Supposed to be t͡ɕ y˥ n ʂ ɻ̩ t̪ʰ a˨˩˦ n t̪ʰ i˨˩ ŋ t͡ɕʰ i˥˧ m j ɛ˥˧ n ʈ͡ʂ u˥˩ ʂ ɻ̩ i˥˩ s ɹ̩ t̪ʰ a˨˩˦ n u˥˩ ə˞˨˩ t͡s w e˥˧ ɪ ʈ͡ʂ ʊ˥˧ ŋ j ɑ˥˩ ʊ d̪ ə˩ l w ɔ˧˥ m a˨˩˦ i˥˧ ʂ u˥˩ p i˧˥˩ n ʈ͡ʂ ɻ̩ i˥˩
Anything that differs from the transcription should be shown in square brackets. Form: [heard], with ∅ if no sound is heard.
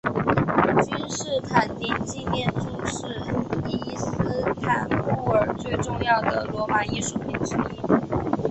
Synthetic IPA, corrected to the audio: t͡ɕ y˥ n ʂ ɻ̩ t̪ʰ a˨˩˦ n [t̪] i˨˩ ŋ [t͡ɕ] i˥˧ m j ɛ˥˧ n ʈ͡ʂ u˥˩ ʂ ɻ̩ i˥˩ s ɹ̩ t̪ʰ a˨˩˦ n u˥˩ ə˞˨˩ t͡s w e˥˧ ɪ ʈ͡ʂ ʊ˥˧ ŋ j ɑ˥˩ ʊ d̪ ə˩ l w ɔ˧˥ m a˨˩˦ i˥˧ ʂ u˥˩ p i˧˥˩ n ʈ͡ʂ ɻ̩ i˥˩